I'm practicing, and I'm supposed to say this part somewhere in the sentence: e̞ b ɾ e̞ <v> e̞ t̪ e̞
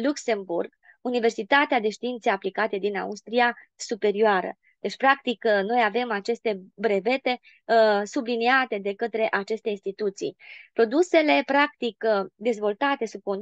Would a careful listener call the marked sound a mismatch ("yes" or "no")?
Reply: no